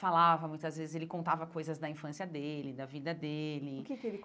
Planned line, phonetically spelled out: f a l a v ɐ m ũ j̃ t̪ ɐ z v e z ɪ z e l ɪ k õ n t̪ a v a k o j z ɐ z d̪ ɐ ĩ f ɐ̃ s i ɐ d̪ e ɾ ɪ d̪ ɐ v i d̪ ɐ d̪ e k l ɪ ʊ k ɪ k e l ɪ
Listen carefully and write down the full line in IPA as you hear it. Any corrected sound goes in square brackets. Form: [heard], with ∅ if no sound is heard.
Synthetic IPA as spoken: f a l a v ɐ m ũ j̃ t̪ ɐ z v e z ɪ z e l ɪ k õ n t̪ a v [ɐ] k o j z ɐ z d̪ ɐ ĩ f ɐ̃ s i ɐ d̪ e [l] ɪ d̪ ɐ v i d̪ ɐ d̪ e [∅] l ɪ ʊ k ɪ k e l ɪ